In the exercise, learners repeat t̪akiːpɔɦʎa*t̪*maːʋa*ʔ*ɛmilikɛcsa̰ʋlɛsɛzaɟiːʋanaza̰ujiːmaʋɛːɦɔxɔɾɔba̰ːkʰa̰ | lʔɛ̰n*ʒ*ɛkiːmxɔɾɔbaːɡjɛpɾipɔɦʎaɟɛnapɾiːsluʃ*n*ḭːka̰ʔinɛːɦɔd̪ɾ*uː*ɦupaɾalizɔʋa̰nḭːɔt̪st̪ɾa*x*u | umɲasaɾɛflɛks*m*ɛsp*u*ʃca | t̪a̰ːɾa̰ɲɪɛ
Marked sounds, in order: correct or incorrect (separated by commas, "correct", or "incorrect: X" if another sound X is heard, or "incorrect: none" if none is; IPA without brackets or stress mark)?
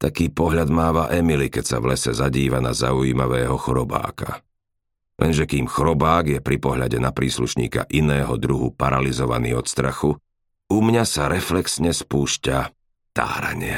incorrect: d̪, correct, correct, incorrect: ɲ, incorrect: u, correct, incorrect: ɲ, incorrect: uː